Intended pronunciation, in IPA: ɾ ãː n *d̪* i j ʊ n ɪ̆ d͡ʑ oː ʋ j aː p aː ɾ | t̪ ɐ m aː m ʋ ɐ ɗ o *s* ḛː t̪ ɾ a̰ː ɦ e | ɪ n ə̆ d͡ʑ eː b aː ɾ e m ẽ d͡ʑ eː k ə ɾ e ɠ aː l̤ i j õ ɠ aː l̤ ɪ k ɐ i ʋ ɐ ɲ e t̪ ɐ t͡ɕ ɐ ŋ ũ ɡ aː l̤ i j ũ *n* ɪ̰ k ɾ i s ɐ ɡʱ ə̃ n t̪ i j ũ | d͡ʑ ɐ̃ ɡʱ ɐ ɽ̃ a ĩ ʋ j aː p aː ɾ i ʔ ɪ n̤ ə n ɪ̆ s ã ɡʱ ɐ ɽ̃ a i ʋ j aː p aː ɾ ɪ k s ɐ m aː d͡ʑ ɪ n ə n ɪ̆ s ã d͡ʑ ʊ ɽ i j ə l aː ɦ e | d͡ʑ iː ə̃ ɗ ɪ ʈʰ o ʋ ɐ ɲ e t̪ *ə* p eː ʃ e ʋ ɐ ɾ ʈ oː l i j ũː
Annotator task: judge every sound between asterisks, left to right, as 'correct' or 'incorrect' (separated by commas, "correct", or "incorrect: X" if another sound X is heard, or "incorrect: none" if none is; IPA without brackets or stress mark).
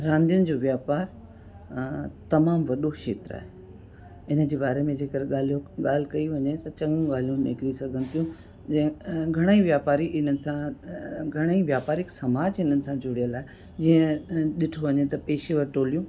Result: correct, incorrect: ʃ, correct, incorrect: ɐ